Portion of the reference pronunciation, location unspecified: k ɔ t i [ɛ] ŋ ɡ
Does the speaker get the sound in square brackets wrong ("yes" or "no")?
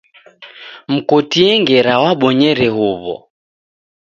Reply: no